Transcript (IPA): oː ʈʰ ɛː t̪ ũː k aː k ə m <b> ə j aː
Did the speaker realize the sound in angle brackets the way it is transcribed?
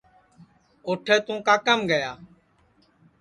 no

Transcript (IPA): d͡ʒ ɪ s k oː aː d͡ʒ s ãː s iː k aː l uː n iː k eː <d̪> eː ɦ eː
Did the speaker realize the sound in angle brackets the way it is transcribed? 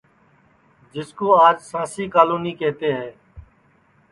no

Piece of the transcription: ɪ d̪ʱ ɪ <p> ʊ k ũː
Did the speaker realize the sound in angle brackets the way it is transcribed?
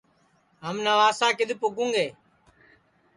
yes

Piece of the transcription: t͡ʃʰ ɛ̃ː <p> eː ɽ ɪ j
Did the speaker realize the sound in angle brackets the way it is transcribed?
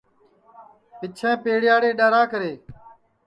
yes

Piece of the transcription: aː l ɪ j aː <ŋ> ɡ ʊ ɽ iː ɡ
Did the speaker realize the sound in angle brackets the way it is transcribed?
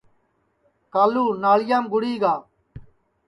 no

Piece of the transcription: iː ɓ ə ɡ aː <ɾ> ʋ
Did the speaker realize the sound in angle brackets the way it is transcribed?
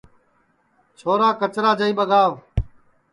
no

